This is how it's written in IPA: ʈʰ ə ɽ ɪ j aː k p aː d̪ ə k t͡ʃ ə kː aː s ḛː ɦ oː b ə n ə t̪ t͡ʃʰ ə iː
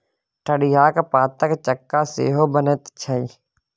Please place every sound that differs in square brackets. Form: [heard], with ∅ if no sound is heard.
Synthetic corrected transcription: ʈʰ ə ɽ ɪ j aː k p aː [t̪] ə k t͡ʃ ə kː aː s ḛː ɦ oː b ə n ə t̪ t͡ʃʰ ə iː